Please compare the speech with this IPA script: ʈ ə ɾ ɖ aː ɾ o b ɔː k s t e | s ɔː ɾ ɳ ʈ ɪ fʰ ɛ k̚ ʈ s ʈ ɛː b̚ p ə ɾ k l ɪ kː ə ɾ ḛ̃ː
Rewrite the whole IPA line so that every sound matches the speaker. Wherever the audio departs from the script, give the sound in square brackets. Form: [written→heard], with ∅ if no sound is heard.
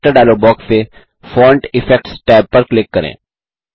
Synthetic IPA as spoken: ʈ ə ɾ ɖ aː [ɾ→l] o b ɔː k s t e | [s→f] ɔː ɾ ɳ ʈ ɪ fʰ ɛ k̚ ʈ s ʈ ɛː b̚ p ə ɾ k l ɪ kː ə ɾ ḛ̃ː